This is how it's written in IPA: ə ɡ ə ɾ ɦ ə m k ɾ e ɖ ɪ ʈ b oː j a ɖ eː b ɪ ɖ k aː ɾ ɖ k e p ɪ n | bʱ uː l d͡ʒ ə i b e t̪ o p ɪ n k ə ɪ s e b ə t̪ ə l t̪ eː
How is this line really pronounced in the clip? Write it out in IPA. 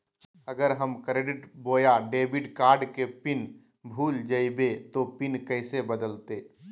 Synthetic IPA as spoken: ə ɡ ə ɾ ɦ ə m k ɾ e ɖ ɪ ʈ b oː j a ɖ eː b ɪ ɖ k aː ɾ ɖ k e p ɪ n | bʱ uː l d͡ʒ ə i b e t̪ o p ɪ n k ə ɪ s e b ə d̪ ə l t̪ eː

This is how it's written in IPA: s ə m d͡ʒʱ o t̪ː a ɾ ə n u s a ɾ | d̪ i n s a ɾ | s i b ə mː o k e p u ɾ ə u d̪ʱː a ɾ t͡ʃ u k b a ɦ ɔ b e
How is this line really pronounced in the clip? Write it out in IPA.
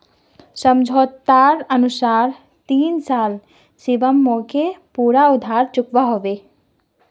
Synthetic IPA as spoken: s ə m d͡ʒʱ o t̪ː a ɾ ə n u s a ɾ | t̪ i n s a l | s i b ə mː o k e p u ɾ a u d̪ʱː a ɾ t͡ʃ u k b a ɦ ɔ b e

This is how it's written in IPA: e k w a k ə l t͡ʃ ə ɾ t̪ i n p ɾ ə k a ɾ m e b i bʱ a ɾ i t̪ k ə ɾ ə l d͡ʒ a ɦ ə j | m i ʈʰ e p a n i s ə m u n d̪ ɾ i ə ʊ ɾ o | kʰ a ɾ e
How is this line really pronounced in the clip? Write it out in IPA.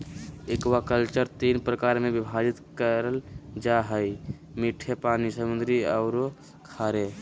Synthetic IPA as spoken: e k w a k ə l t͡ʃ ə ɾ t̪ i n p ɾ ə k a ɾ m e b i bʱ a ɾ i t̪ k ə ɾ ə l d͡ʒ a ɦ ə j | m i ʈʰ e p a n i s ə m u n d̪ ɾ i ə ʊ ɾ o | kʰ a ɾ e

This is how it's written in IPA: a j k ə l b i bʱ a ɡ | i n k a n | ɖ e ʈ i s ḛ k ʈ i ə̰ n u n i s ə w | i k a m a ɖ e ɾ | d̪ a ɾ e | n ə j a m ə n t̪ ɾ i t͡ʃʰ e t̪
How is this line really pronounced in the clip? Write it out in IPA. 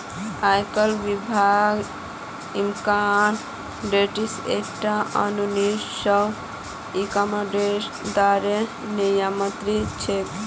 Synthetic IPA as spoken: a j k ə l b i bʱ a ɡ | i m k a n | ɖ e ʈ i s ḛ k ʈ a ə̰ n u n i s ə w | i k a m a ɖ e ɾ | d̪ a ɾ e | n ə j a m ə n t̪ ɾ i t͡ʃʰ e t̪

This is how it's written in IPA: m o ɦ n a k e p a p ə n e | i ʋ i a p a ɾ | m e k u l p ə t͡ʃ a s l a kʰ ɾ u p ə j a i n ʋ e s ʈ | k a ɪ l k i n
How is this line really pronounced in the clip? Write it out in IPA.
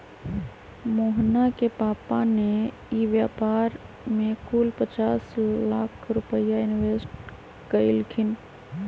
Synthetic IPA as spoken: m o ɦ n a k e p a p a n e | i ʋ j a p a ɾ | m e k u l p ə t͡ʃ a s l a kʰ ɾ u p ə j a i n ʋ e s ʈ | k ə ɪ l kʰ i n

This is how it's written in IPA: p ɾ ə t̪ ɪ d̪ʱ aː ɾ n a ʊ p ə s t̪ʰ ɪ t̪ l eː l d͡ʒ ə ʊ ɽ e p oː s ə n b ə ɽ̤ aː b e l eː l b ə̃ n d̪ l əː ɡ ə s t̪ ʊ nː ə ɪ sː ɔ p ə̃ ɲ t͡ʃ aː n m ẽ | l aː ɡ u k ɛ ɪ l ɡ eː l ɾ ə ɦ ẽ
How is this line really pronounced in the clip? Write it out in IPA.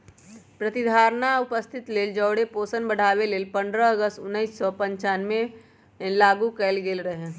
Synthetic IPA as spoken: p ɾ ə t̪ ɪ d̪ʱ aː ɾ n a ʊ p ə s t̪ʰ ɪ t̪ l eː l d͡ʒ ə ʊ ɽ e p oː s ə n b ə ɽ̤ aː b e l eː l p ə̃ n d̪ ɾ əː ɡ ə s t̪ ʊ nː ə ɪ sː ɔ p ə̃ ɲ t͡ʃ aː n m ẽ | l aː ɡ u k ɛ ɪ l ɡ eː l ɾ ə ɦ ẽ

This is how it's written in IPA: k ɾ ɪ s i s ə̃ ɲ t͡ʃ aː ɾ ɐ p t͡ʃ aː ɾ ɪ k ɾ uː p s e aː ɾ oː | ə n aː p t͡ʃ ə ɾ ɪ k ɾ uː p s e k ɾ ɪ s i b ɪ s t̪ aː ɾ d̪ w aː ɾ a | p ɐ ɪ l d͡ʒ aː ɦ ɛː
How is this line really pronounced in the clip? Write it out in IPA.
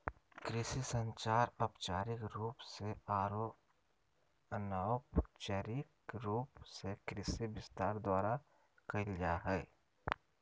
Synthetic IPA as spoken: k ɾ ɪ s i s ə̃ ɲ t͡ʃ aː ɾ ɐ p t͡ʃ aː ɾ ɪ k ɾ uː p s e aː ɾ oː | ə n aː p t͡ʃ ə ɾ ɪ k ɾ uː p s e k ɾ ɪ s i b ɪ s t̪ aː ɾ d̪ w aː ɾ a | k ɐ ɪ l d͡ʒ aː ɦ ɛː

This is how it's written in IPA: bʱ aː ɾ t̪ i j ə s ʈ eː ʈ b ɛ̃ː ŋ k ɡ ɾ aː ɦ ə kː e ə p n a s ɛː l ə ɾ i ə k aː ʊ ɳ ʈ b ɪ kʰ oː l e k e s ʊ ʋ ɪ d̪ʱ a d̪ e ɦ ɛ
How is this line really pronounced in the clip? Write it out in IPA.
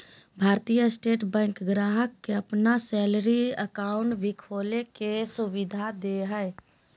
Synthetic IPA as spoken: bʱ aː ɾ t̪ i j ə s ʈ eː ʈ b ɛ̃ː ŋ k ɡ ɾ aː ɦ ə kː e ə p n a s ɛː l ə ɾ i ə k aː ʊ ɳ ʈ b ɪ kʰ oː l e k e s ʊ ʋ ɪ d̪ʱ a d̪ e ɦ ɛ

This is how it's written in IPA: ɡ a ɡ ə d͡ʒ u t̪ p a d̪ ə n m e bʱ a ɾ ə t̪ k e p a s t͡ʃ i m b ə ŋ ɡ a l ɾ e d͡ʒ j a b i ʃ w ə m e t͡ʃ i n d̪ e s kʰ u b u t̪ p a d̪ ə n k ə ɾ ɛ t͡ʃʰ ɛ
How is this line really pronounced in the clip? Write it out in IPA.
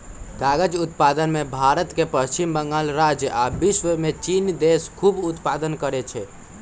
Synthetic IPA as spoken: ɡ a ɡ ə d͡ʒ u t̪ p a d̪ ə n m e bʱ a ɾ ə t̪ k e p ə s t͡ʃ i m b ə ŋ ɡ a l ɾ a d͡ʒ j a b i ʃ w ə m e t͡ʃ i n d̪ e s kʰ u b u t̪ p a d̪ ə n k ə ɾ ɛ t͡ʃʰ ɛ

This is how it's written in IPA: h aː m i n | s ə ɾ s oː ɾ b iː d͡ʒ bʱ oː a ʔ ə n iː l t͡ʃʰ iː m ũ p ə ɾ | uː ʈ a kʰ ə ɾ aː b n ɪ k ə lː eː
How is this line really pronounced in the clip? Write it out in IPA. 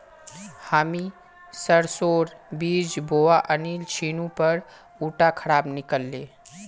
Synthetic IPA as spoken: h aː m i | s ə ɾ s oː ɾ b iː d͡ʒ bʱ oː a ʔ ə n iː l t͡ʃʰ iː n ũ p ə ɾ | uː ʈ a kʰ ə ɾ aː b n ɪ k ə lː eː

